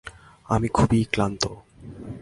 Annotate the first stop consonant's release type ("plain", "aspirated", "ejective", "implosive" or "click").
aspirated